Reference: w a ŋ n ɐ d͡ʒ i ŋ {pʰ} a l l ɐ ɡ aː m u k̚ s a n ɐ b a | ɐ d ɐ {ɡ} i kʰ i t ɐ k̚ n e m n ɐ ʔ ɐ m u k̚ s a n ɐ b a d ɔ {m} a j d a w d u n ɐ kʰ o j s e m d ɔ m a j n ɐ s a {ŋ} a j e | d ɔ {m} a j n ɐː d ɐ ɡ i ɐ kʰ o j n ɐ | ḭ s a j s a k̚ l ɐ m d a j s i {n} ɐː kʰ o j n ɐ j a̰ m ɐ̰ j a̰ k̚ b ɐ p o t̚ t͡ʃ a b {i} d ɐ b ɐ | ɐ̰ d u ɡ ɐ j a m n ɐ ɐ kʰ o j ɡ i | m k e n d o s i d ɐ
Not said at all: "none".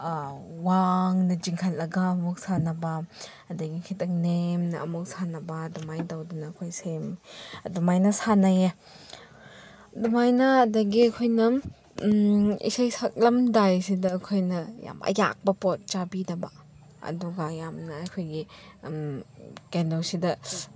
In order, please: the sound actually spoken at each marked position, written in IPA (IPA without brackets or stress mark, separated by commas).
kʰ, ɡ, m, n, m, d, i